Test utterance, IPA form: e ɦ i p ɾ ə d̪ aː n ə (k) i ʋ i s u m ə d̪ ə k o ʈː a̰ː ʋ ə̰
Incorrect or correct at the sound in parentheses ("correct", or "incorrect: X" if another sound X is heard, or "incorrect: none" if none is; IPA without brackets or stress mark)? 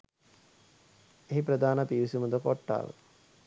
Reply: incorrect: p